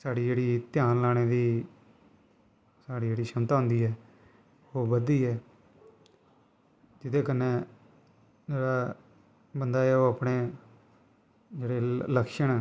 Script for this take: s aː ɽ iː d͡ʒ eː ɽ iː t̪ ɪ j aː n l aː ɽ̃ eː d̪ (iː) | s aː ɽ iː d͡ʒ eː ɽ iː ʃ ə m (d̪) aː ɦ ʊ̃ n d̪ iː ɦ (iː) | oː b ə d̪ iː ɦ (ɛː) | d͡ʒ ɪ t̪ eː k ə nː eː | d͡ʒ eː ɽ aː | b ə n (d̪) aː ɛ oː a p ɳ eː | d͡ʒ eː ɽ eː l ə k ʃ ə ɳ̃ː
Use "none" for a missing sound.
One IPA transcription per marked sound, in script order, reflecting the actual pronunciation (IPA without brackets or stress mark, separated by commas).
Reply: iː, t̪, ɛː, ɛː, d̪